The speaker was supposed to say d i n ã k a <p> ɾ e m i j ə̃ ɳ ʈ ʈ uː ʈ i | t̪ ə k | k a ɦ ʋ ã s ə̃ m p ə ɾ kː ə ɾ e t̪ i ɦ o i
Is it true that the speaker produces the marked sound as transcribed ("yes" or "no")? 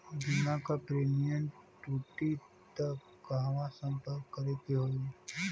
yes